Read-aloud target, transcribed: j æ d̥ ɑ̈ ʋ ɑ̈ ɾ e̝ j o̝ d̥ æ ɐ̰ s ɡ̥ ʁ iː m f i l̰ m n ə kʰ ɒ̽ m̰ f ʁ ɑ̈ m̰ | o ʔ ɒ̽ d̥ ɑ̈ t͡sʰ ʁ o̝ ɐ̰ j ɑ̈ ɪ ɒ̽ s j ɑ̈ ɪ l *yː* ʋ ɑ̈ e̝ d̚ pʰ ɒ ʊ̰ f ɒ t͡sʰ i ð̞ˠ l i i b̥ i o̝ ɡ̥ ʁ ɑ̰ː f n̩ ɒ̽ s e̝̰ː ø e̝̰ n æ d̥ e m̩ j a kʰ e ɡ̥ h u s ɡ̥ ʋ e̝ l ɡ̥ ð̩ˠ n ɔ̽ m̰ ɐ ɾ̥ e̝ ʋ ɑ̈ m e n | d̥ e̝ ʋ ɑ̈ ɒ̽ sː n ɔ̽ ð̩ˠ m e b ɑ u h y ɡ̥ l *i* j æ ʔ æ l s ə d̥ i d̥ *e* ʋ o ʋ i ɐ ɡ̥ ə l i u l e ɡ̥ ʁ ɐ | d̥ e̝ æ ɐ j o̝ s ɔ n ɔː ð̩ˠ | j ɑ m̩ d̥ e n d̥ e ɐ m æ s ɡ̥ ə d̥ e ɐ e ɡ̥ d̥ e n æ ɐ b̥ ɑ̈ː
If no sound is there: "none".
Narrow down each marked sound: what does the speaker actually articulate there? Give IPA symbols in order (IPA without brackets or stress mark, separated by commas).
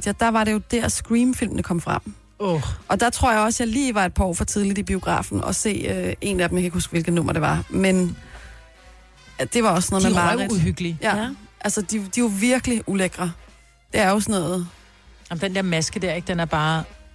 iː, i, i